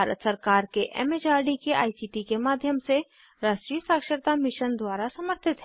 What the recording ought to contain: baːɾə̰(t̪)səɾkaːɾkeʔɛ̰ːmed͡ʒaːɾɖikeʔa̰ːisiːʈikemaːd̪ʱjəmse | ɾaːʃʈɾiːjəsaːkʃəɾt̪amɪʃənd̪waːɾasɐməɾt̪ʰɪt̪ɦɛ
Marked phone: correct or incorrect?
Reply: correct